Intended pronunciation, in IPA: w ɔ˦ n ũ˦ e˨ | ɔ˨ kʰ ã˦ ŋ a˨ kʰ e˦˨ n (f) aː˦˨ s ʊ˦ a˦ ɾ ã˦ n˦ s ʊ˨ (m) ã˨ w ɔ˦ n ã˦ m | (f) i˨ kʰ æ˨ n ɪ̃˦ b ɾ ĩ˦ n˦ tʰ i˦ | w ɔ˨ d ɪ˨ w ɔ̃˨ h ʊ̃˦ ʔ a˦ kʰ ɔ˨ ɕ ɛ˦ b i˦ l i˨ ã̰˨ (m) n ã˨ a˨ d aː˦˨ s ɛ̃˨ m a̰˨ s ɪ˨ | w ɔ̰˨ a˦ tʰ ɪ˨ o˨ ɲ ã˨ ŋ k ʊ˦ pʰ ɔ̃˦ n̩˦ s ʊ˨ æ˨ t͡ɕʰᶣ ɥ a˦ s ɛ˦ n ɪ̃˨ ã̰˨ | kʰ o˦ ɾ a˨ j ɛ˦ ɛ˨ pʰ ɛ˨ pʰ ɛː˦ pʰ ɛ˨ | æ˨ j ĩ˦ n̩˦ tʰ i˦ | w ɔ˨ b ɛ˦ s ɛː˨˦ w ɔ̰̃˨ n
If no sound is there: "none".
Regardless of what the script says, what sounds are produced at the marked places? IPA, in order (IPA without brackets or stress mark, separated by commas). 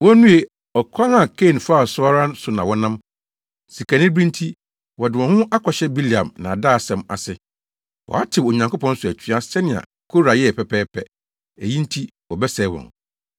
f, n, s, m